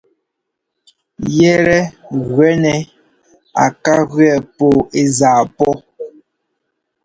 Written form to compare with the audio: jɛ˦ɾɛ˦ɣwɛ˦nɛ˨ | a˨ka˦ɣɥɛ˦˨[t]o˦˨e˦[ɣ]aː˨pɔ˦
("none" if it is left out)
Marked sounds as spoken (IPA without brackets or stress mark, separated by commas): p, z